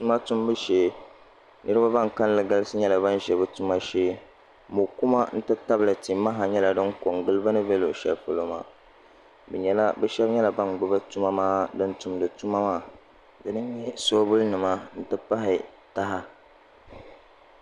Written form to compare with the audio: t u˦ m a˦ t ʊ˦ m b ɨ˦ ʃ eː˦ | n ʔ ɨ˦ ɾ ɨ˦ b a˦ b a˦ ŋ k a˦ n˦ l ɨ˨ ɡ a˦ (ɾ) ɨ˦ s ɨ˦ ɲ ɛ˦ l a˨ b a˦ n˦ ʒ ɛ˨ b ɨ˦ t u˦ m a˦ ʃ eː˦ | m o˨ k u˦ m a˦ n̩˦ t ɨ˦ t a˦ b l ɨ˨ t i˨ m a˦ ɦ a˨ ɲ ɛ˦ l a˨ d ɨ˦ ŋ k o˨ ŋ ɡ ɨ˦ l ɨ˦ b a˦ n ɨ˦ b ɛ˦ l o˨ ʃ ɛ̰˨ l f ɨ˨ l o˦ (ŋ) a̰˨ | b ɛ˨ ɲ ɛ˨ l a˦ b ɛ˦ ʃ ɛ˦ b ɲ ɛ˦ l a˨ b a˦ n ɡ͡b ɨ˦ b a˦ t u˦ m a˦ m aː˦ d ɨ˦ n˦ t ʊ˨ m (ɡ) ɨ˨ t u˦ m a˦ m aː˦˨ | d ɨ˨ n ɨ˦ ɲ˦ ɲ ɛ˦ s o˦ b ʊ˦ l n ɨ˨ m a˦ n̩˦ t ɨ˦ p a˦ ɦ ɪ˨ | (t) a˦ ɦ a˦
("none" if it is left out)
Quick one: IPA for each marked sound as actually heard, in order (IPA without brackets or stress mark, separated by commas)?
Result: l, m, d, t